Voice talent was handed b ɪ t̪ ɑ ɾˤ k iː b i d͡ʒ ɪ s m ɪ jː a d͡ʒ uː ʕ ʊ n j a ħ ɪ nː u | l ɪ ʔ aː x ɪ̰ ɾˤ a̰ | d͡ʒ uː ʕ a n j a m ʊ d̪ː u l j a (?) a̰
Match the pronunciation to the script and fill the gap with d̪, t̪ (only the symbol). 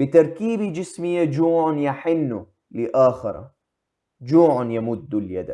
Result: d̪